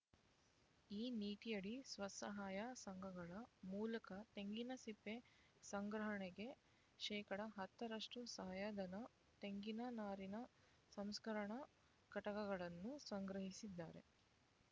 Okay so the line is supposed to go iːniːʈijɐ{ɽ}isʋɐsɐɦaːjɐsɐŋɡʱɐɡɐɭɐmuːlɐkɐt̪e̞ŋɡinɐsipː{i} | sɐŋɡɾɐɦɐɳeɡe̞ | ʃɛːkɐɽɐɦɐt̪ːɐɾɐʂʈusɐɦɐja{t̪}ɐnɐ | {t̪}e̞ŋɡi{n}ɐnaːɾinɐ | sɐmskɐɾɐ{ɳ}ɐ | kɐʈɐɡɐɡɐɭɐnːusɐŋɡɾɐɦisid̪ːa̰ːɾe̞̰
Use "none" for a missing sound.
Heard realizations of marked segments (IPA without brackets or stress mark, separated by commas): ɽ, e, d̪, t̪, n, ɳ